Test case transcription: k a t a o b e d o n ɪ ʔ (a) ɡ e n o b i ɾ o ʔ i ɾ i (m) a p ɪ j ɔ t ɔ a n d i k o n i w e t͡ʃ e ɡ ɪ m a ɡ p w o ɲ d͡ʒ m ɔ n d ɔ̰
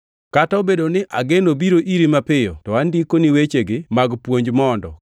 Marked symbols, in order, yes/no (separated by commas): yes, yes